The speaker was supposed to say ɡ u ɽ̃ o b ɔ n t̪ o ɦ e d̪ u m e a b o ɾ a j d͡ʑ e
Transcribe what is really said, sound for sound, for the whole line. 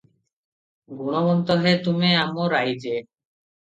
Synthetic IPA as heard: ɡ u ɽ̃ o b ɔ n t̪ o ɦ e t̪ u m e a m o ɾ a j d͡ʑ e